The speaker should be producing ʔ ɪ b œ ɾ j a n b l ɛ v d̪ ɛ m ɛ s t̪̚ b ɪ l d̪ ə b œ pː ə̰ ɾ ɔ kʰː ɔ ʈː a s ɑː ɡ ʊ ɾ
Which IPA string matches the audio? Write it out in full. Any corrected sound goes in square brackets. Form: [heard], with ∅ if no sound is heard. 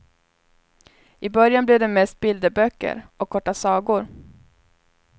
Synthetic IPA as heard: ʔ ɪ b œ ɾ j a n b l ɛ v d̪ ɛ m ɛ s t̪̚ b ɪ l d̪ ə b œ [kː] ə̰ ɾ ɔ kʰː ɔ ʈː a s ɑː ɡ ʊ ɾ